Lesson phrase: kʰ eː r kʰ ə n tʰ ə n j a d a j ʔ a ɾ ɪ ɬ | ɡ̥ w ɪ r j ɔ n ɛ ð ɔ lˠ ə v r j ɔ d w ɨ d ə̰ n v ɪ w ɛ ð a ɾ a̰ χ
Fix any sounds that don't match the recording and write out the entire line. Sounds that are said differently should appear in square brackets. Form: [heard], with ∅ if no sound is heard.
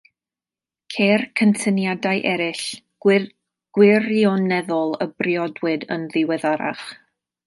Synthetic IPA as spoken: kʰ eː r kʰ ə n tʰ ə n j a d a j ʔ [ɛ] ɾ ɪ ɬ | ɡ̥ w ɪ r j ɔ n ɛ ð ɔ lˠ ə [b] r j ɔ d w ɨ d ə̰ n [ð] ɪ w ɛ ð a ɾ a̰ χ